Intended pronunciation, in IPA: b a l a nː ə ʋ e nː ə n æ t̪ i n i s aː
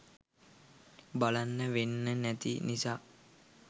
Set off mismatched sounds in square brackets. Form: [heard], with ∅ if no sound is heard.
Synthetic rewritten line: b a l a nː ə ʋ e nː ə n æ t̪ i n i s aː